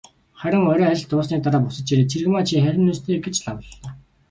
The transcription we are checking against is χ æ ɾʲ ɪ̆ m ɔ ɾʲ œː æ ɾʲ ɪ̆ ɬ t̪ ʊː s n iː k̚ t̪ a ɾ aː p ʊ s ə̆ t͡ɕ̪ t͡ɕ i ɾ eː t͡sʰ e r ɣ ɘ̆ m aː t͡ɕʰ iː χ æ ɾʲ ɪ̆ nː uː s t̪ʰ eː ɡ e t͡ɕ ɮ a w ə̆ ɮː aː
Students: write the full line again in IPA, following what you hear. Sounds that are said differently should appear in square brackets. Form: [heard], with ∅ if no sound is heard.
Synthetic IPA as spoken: χ æ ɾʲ ɪ̆ [ŋ] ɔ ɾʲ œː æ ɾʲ ɪ̆ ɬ t̪ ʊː s n iː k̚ t̪ a ɾ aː p ʊ s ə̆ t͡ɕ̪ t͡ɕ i ɾ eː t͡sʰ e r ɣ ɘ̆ m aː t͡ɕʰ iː χ æ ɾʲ ɪ̆ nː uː s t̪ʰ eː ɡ e t͡ɕ ɮ a w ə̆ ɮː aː